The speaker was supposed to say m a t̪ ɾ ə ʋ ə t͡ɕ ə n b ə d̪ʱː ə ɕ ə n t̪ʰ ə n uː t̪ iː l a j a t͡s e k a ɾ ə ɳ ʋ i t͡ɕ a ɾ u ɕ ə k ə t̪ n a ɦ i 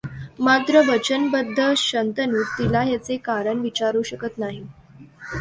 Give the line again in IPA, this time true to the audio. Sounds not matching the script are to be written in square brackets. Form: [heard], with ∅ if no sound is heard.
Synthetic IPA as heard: m a t̪ ɾ ə ʋ ə t͡ɕ ə n b ə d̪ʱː ə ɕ ə n [t̪] ə n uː t̪ [i] l a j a t͡s e k a ɾ ə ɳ ʋ i t͡ɕ a ɾ u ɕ ə k ə t̪ n a ɦ i